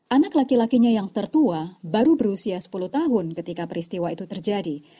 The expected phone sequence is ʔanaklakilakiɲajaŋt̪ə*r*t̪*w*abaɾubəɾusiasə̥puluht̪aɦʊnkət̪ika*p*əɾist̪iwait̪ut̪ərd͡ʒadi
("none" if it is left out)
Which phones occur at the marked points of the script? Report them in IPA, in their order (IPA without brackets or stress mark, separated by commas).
r, u, p